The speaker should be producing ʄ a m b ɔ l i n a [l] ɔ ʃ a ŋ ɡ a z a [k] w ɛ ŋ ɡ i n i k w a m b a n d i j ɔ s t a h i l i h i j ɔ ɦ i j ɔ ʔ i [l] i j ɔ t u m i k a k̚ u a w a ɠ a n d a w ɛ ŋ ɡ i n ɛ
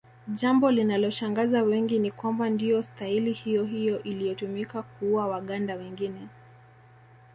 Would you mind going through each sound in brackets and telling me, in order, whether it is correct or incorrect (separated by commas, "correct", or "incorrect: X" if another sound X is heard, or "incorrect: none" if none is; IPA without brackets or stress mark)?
correct, incorrect: none, correct